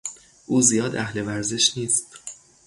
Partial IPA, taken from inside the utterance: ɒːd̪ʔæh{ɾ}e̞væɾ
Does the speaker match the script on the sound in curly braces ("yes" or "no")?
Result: no